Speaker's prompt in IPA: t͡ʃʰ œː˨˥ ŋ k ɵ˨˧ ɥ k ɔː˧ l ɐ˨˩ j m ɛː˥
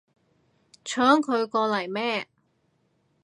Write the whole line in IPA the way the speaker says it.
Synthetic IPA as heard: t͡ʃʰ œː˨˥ ŋ kʰ ɵ˨˧ ɥ k ɔː˧ l ɐ˨˩ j m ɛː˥